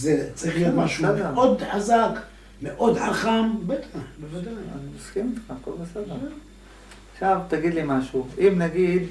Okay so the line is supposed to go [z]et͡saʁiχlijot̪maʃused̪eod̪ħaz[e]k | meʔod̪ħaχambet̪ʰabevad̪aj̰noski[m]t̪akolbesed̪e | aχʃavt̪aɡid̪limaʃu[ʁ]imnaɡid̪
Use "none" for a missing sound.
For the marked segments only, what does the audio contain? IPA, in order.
z, a, m, none

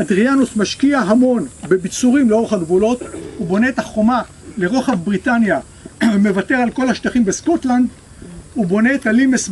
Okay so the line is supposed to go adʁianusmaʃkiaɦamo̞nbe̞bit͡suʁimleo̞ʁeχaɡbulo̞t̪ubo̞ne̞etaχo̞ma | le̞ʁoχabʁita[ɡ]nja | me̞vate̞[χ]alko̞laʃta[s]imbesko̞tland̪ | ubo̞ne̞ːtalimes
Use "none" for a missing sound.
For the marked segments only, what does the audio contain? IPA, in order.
none, ʁ, χ

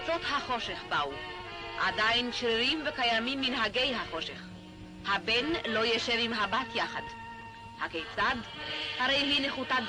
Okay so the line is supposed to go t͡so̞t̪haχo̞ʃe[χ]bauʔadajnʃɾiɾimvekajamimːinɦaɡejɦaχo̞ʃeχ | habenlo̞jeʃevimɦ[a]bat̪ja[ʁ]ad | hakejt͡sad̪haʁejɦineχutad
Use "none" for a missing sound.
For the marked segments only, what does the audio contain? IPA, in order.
χ, a, χ

